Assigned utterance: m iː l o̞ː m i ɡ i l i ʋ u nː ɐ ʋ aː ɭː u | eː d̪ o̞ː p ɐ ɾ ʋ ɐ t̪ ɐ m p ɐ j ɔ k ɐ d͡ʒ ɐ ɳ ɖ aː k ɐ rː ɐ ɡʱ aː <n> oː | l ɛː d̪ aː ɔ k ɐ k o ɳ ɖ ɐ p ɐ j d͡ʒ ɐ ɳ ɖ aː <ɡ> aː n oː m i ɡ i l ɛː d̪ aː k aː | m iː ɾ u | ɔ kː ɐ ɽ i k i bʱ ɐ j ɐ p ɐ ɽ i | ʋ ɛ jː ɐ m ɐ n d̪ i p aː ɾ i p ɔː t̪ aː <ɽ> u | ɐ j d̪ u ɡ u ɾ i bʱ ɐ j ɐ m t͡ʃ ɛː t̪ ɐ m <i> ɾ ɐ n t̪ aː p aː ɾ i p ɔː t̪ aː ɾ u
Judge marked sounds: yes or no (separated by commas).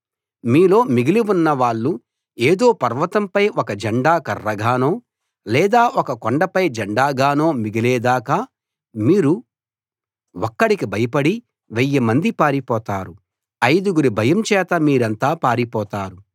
yes, yes, no, no